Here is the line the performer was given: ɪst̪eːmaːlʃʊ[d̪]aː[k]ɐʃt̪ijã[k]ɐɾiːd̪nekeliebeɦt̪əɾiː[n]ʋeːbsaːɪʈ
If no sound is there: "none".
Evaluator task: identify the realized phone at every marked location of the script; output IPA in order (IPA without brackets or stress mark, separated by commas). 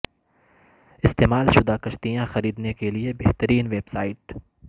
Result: d̪, k, x, n